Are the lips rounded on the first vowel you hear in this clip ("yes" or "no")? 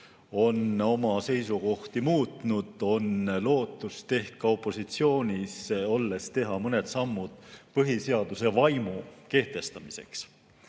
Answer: yes